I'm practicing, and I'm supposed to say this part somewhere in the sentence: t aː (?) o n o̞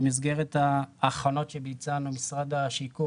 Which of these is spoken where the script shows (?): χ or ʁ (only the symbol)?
χ